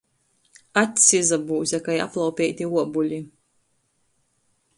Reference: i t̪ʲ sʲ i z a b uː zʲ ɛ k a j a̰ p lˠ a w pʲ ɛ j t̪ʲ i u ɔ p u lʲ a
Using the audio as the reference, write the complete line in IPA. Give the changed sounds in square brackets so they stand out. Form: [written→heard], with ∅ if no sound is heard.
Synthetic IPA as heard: [i→a] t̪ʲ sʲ i z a b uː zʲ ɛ k a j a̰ p lˠ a w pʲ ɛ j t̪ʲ i u ɔ [p→b] u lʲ [a→i]